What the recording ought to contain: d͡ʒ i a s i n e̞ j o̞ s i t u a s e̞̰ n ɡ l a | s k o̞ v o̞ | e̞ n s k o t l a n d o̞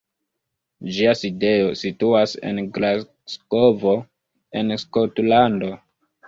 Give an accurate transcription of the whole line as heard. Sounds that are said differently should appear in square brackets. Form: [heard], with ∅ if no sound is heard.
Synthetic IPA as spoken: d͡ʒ i a s i [d] e̞ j o̞ s i t u a s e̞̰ n ɡ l a | s k o̞ v o̞ | e̞ n s k o t l a n d o̞